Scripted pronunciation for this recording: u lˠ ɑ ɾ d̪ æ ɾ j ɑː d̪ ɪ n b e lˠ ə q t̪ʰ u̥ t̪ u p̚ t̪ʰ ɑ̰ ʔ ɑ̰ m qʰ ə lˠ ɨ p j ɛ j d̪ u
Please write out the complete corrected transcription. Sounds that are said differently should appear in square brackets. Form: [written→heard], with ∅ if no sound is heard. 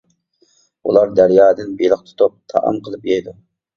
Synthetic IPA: u lˠ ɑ ɾ d̪ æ ɾ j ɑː d̪ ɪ n b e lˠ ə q t̪ʰ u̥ t̪ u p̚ t̪ʰ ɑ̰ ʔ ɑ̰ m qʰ ə lˠ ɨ p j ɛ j d̪ u